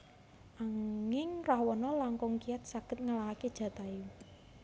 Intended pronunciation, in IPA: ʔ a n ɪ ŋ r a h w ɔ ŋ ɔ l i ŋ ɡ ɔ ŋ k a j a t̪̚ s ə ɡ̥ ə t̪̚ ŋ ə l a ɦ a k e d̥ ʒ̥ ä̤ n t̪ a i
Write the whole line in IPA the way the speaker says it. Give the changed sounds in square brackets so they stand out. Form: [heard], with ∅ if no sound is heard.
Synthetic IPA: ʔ a [ŋ] ɪ ŋ r a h w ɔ [n] ɔ l [a] ŋ [k] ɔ ŋ k [i] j a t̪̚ s [a] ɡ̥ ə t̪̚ ŋ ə l a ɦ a k e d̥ ʒ̥ ä̤ [∅] t̪ a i